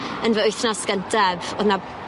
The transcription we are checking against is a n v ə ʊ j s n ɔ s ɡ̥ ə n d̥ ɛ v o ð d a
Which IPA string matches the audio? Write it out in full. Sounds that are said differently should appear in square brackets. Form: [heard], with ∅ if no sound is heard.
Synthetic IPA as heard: [ə] n v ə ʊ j [θ] n ɔ s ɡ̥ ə n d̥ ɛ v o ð [n] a